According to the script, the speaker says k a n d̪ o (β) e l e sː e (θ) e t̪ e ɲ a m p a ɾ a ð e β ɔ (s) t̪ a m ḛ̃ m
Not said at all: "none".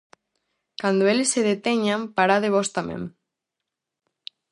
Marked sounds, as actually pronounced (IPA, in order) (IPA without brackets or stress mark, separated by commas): none, ð, s